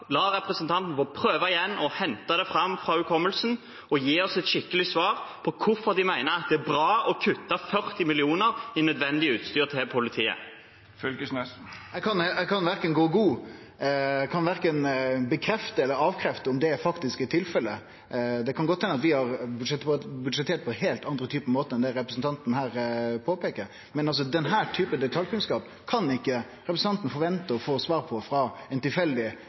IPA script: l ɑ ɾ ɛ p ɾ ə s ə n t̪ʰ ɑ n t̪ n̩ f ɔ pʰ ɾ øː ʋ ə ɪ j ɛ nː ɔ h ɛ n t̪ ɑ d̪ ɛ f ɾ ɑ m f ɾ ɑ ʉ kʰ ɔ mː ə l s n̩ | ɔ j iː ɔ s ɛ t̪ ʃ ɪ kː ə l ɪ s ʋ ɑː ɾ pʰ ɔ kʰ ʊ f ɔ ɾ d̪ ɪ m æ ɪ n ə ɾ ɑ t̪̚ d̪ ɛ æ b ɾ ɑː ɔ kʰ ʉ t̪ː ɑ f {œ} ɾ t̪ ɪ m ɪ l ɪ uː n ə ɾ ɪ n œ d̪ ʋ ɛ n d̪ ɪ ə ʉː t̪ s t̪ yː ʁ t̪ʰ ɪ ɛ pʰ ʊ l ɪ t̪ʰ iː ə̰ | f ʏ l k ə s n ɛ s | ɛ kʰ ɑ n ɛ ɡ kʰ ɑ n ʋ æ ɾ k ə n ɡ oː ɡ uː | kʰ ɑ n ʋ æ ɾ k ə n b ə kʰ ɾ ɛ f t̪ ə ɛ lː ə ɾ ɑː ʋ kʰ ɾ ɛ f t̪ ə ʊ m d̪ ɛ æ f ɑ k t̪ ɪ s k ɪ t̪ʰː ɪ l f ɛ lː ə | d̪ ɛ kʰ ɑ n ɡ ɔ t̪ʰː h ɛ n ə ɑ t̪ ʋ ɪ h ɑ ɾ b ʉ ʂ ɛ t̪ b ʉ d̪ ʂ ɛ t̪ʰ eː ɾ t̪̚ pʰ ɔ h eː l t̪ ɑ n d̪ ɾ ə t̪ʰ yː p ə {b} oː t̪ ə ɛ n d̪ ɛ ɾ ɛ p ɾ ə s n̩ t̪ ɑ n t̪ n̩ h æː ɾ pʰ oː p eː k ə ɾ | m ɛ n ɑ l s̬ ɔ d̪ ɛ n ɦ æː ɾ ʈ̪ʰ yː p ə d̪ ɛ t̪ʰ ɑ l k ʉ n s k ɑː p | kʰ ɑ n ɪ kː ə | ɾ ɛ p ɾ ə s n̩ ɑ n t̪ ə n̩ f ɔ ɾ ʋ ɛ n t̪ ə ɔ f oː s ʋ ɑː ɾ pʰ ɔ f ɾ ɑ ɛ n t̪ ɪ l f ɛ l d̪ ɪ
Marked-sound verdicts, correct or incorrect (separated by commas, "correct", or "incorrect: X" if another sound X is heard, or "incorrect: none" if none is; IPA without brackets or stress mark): correct, incorrect: m